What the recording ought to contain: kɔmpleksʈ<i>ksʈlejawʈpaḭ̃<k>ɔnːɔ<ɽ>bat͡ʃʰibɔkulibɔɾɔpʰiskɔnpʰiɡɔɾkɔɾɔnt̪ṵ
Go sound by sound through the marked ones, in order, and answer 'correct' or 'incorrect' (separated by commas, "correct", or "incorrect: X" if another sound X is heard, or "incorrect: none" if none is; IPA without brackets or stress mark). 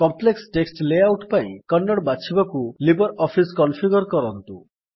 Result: incorrect: e, correct, correct